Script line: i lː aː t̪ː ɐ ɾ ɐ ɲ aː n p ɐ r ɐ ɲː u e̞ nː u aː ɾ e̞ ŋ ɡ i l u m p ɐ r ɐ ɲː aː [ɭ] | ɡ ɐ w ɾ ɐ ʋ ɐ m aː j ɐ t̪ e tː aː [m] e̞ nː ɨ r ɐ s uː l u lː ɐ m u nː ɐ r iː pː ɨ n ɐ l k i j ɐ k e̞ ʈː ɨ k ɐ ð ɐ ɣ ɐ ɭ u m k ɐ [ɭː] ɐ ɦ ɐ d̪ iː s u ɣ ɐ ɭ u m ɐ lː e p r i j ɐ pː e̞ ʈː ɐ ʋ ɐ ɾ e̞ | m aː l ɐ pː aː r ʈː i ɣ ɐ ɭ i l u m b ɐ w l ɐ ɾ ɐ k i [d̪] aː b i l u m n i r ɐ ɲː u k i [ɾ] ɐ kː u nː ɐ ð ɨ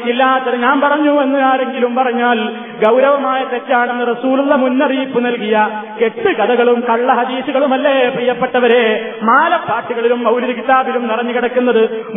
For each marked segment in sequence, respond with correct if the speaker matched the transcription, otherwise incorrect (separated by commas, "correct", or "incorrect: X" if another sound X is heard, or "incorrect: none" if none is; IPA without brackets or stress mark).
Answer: incorrect: l, incorrect: ɳ, correct, incorrect: t̪, incorrect: ɽ